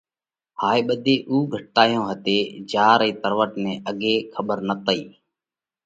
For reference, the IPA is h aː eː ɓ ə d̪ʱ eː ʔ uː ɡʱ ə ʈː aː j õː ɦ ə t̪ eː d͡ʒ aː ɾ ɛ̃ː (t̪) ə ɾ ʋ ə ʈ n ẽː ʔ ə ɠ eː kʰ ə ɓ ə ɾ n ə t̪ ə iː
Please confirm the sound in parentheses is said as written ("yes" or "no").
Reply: yes